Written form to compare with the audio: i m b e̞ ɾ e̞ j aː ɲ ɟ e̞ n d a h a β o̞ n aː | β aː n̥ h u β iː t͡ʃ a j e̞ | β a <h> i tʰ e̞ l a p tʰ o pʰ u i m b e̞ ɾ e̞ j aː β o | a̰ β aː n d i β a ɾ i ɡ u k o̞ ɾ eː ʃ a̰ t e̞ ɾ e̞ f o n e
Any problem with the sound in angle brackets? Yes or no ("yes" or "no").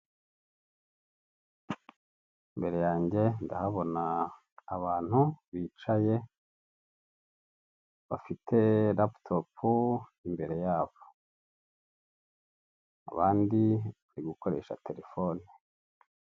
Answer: yes